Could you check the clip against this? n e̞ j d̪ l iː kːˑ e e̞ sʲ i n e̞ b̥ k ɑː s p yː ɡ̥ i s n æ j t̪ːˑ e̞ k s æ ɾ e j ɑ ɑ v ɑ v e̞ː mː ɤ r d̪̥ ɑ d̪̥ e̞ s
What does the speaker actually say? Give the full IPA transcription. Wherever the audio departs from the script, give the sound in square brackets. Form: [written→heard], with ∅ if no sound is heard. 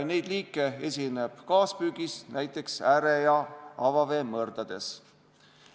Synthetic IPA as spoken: n e̞ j d̪ l iː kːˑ e e̞ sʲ i n e̞ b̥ k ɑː s p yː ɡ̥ i s n æ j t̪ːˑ e̞ k s æ ɾ e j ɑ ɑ v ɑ v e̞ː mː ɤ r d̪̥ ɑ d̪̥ e̞ s